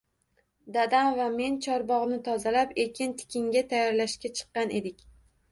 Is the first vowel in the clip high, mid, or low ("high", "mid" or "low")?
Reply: low